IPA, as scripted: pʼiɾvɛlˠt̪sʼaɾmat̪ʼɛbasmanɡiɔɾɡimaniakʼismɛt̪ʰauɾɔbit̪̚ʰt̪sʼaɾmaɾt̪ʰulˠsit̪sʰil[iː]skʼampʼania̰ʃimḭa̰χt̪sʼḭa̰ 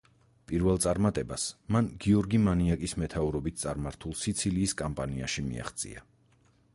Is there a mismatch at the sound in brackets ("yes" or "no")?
no